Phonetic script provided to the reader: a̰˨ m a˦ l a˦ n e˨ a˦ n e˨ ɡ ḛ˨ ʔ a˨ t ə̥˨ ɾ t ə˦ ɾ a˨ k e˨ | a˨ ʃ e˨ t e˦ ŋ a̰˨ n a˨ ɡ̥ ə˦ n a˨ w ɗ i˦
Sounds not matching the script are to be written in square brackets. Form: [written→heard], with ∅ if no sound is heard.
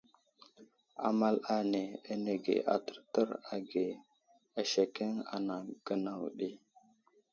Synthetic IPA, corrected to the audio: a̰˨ m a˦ l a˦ n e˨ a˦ n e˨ ɡ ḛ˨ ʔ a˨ t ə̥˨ ɾ t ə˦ ɾ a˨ [k→ɡ] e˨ | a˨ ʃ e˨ [t→k] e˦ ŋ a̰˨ n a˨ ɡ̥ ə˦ n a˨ w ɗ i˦